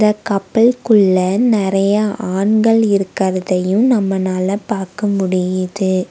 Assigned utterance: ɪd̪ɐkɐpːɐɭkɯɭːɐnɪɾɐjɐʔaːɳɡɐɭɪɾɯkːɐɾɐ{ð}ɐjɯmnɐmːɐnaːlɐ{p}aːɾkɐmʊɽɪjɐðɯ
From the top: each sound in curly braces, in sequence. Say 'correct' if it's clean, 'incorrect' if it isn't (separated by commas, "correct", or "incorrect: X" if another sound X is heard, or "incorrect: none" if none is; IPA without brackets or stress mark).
correct, correct